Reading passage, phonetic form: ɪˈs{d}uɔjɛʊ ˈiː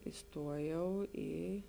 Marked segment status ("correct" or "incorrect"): incorrect